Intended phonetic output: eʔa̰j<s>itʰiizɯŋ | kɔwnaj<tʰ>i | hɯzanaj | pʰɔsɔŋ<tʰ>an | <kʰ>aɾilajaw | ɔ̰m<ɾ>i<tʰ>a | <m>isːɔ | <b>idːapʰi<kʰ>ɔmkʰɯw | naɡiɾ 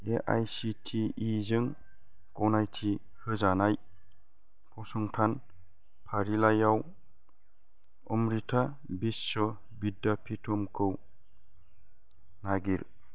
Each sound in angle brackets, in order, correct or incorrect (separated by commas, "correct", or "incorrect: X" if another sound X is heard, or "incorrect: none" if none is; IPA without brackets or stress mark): correct, correct, correct, incorrect: pʰ, correct, correct, incorrect: b, correct, incorrect: tʰ